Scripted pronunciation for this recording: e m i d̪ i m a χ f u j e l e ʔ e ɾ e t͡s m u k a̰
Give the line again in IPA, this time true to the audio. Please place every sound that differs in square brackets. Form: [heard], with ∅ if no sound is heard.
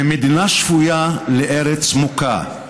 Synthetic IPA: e m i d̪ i [n] a [ʃ] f u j [a] l e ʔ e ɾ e t͡s m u k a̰

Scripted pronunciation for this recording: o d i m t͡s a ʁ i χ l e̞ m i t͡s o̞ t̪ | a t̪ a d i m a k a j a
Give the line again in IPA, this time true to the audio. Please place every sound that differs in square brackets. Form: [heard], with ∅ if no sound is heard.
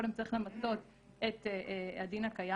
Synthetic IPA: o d [e] m t͡s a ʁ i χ l e̞ m [a] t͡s o̞ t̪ | [e] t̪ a d i [n] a k a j a

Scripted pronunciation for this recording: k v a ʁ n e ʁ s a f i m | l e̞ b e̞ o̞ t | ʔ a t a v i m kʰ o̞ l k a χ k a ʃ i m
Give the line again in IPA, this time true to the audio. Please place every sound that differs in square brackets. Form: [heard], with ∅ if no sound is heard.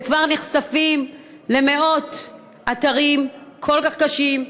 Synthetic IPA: k v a ʁ n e [χ] s a f i m | l e̞ [m] e̞ o̞ t | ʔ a t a [ʁ] i m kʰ o̞ l k a χ k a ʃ i m

